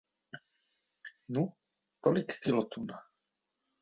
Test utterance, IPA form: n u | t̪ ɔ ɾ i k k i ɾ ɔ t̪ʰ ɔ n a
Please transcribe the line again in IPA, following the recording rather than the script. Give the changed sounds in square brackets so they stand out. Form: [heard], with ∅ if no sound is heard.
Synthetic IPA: n u | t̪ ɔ [l] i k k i [l] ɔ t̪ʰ [u] n a